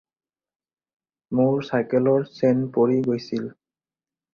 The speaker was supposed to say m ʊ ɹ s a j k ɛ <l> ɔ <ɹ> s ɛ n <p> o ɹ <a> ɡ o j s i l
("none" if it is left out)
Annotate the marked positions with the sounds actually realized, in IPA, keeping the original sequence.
l, ɹ, p, i

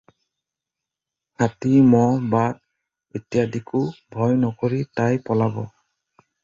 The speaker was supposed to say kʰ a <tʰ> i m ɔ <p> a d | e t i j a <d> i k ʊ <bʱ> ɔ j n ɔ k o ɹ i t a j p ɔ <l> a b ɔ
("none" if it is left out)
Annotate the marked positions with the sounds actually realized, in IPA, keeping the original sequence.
t, b, d, bʱ, l

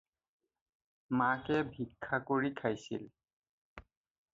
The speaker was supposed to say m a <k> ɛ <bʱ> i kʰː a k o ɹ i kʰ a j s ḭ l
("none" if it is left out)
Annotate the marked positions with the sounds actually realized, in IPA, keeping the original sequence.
k, bʱ

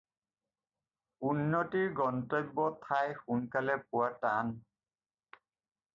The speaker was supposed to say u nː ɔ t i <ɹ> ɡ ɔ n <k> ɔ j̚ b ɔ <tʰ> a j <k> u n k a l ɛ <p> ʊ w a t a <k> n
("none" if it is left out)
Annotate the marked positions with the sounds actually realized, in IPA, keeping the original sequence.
ɹ, t, tʰ, x, p, none

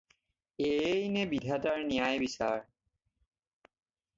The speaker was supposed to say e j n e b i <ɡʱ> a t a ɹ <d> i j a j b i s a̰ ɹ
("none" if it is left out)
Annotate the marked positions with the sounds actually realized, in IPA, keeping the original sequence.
dʱ, n

